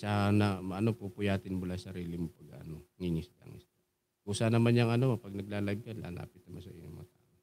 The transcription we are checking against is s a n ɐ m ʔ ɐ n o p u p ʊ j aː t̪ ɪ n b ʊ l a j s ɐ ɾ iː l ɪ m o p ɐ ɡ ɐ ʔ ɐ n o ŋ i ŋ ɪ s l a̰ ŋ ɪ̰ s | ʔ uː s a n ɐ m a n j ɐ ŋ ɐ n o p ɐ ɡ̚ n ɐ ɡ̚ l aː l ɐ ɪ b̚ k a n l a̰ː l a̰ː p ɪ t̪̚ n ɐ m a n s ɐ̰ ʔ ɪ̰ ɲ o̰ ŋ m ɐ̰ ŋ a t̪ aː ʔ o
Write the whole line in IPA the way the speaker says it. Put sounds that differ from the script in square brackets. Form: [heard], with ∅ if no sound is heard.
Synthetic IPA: s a n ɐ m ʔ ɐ n o p u p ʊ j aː t̪ ɪ n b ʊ l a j s ɐ ɾ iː l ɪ m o p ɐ ɡ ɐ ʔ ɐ n o ŋ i ŋ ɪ s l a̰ ŋ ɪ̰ s | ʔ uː s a n ɐ m a n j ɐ ŋ ɐ n o p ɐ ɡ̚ n ɐ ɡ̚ l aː l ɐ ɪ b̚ k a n l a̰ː l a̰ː p ɪ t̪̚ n ɐ m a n s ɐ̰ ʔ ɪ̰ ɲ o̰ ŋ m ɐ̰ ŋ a t̪ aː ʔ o